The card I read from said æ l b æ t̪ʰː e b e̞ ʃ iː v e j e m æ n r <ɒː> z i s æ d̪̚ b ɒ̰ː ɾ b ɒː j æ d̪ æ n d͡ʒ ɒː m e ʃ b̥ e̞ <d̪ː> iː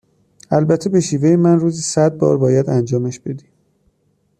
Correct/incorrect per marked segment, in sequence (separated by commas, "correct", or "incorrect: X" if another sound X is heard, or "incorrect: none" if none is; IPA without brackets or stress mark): incorrect: uː, incorrect: d̪